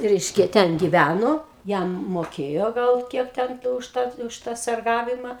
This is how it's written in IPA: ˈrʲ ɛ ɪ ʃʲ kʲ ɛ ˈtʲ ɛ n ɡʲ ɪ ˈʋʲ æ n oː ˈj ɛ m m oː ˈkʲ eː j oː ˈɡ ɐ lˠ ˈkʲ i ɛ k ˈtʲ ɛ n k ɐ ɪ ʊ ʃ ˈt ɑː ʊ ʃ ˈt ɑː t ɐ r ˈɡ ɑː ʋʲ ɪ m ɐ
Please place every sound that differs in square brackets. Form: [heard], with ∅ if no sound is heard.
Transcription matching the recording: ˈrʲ ɛ ɪ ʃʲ kʲ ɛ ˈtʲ ɛ n ɡʲ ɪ ˈʋʲ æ n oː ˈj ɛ m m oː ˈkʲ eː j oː ˈɡ ɐ lˠ ˈkʲ i ɛ k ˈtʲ ɛ n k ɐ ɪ ʊ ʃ ˈt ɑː ʊ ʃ ˈt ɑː [s] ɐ r ˈɡ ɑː ʋʲ ɪ m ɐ